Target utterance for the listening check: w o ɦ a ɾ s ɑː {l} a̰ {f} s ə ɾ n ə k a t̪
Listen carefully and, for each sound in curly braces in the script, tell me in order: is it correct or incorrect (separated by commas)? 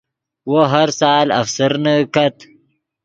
correct, correct